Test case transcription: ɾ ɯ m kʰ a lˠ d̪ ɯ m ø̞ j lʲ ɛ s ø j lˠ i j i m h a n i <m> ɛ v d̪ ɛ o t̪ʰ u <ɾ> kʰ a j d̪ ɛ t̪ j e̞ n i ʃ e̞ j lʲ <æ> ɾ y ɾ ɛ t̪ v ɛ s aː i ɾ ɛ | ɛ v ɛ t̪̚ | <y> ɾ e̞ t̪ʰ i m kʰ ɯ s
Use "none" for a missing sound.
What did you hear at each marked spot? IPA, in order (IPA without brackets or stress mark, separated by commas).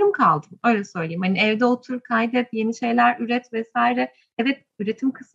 none, ɾ, æ, y